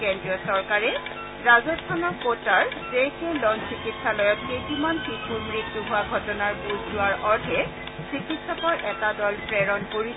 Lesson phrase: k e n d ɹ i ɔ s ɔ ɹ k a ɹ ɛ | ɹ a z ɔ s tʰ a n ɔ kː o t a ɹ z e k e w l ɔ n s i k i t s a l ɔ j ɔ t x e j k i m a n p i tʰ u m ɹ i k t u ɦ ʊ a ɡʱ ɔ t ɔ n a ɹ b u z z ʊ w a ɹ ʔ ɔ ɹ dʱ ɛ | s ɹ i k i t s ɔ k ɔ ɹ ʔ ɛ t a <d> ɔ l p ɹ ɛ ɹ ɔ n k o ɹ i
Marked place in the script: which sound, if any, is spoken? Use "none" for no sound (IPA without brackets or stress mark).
d